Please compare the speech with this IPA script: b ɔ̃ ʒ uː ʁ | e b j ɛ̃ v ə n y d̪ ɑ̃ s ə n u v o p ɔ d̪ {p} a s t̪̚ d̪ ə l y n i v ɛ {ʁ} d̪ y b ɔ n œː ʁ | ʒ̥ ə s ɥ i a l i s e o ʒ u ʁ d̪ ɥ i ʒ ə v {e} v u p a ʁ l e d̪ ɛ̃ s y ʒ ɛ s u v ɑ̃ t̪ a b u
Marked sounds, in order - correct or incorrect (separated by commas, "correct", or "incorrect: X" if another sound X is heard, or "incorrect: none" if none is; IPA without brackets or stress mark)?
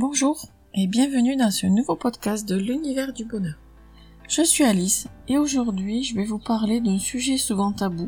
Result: incorrect: k, correct, incorrect: ɛ